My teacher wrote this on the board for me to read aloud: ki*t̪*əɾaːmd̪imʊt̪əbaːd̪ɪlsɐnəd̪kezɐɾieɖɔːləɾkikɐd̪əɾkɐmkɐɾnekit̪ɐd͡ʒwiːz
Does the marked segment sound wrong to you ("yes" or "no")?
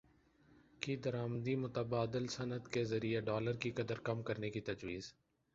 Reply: yes